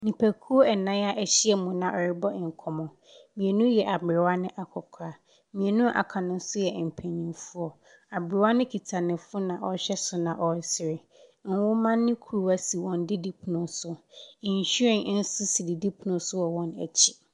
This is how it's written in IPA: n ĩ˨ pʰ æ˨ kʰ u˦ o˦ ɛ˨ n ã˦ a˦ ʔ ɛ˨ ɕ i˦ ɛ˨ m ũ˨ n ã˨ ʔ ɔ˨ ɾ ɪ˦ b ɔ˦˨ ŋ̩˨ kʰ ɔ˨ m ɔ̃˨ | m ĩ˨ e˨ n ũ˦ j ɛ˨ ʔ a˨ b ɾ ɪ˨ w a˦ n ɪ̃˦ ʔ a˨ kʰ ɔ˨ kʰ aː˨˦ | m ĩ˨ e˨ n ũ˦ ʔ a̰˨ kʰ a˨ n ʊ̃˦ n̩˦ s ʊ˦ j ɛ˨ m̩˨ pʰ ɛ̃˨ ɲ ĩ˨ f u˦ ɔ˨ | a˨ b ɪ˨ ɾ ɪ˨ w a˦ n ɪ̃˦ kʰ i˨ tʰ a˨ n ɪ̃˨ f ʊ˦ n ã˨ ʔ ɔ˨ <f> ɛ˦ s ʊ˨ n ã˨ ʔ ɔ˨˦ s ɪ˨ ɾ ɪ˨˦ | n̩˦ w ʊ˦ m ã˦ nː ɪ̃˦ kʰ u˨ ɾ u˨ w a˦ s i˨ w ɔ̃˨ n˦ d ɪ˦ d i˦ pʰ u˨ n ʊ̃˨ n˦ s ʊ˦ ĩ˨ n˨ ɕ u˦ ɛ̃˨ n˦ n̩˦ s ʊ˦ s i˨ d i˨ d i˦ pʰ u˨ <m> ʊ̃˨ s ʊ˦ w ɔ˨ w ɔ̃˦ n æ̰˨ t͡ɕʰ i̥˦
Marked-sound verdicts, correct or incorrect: incorrect: ɕ, incorrect: n

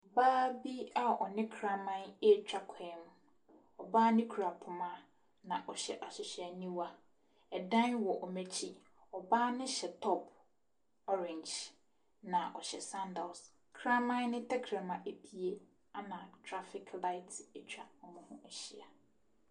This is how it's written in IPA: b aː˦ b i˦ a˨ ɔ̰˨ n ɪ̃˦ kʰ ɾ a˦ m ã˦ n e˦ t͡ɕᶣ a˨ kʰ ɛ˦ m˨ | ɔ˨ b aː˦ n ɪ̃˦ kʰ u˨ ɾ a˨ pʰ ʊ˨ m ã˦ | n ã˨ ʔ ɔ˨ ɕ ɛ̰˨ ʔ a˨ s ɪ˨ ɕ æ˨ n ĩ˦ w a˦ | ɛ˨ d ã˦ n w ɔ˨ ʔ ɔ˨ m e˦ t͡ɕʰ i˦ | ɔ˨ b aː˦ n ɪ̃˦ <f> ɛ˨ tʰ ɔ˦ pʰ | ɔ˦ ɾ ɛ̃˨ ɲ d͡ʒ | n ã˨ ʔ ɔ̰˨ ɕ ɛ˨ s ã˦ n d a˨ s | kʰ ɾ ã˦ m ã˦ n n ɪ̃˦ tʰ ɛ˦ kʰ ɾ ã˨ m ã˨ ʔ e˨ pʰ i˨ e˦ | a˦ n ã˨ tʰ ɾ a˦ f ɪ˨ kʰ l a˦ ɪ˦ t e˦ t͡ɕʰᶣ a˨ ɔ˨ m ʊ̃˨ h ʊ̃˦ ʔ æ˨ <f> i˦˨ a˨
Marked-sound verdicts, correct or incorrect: incorrect: ɕ, incorrect: ɕ

